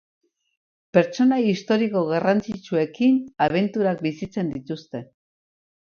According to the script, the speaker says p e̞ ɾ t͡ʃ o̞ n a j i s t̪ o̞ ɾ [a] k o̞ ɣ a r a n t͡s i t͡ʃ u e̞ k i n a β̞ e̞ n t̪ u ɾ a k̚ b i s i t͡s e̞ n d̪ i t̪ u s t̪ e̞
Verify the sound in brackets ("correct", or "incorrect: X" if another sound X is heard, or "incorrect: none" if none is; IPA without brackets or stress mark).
incorrect: i